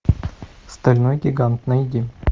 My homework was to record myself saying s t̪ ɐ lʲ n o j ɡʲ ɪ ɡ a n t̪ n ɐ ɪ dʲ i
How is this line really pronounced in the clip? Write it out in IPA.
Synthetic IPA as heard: s t̪ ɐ lʲ n o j ɡʲ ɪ ɡ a n t̪ n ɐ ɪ dʲ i